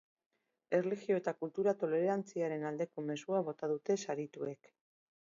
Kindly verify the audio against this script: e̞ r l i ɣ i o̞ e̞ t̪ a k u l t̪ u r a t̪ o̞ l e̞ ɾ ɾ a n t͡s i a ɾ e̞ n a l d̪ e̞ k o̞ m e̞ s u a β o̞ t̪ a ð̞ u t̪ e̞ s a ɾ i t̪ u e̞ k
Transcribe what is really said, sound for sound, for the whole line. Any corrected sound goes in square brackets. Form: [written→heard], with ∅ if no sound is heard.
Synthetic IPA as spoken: e̞ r l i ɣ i o̞ e̞ t̪ a k u l t̪ u [r→ɾ] a t̪ o̞ l e̞ ɾ ɾ a n t͡s i a ɾ e̞ n a l d̪ e̞ k o̞ m e̞ s u a β o̞ t̪ a ð̞ u t̪ e̞ s a ɾ i t̪ u e̞ k